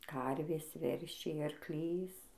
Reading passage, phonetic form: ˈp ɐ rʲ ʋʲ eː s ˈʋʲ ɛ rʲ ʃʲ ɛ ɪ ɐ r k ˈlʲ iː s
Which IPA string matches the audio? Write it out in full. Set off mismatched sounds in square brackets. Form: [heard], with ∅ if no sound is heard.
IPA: [ˈk] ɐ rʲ ʋʲ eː s ˈʋʲ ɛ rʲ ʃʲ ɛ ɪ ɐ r k ˈlʲ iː s